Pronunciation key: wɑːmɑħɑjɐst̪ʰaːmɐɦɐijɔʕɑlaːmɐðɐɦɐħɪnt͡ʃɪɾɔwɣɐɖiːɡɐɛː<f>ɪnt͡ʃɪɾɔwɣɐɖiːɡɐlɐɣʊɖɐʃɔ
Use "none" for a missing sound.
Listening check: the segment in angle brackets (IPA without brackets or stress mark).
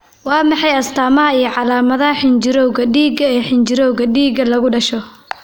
ħ